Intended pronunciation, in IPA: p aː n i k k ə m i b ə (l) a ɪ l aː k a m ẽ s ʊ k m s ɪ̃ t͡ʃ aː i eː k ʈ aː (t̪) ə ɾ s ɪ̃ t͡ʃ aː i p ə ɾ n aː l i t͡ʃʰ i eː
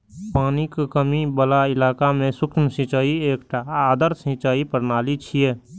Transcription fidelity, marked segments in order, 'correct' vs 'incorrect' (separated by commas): correct, incorrect